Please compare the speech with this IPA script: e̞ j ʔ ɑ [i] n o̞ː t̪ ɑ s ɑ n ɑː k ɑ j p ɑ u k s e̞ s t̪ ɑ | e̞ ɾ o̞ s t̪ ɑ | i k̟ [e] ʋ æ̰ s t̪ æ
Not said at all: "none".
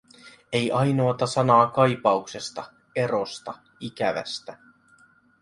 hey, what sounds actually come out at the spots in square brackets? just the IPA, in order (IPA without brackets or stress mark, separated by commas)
j, æ